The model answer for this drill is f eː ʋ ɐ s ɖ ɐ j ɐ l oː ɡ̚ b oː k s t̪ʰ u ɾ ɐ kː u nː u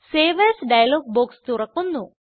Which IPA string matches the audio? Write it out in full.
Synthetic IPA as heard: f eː ʋ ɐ s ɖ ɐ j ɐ l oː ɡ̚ b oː k s t̪ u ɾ ɐ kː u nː u